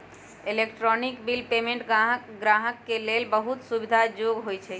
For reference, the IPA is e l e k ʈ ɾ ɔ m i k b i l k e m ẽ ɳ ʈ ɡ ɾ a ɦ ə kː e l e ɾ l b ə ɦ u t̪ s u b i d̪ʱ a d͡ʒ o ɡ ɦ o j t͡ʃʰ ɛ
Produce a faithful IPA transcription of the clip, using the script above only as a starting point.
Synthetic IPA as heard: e l e k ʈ ɾ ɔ n i k b i l p e m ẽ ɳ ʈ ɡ ɾ a ɦ ə kː e l e l b ə ɦ u t̪ s u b i d̪ʱ a d͡ʒ o ɡ ɦ o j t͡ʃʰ ɛ